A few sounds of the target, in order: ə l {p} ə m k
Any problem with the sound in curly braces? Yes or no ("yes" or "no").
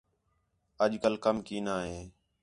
yes